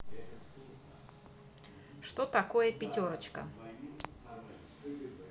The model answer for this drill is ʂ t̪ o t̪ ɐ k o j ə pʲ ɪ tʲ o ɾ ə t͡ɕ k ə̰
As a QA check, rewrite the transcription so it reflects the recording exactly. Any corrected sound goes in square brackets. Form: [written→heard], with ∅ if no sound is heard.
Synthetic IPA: ʂ t̪ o t̪ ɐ k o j ə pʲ ɪ tʲ o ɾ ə t͡ɕ k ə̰